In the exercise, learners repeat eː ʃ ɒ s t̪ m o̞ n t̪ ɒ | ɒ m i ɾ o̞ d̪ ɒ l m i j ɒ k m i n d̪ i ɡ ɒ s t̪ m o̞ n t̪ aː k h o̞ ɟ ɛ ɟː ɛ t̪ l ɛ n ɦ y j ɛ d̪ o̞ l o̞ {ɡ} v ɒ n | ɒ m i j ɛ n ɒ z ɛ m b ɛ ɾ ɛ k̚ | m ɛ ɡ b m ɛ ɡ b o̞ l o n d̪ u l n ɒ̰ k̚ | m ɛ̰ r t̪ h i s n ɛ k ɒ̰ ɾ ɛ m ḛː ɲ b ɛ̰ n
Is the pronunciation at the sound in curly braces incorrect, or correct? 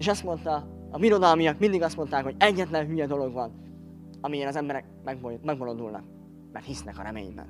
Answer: correct